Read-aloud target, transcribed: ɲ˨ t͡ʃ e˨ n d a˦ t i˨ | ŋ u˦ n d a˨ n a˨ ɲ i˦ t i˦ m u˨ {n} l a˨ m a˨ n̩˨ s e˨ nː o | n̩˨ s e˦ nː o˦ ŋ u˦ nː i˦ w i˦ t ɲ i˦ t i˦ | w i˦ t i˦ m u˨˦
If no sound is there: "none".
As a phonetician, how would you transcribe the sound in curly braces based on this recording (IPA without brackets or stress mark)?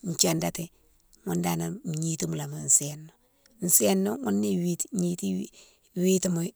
none